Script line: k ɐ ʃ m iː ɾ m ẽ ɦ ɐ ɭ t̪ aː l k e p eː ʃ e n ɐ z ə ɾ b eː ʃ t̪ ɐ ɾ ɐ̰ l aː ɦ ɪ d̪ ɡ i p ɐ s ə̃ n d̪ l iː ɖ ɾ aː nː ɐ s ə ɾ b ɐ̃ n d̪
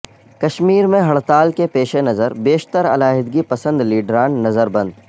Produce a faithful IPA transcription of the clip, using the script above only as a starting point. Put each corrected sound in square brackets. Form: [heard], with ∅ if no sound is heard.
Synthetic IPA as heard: k ɐ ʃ m iː ɾ m ẽ ɦ ɐ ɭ t̪ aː l k e p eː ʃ e n ɐ z ə ɾ b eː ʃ t̪ [ə] ɾ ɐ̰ l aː ɦ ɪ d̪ ɡ i p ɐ s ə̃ n d̪ l iː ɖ ɾ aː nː ɐ [z] ə ɾ b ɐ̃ n d̪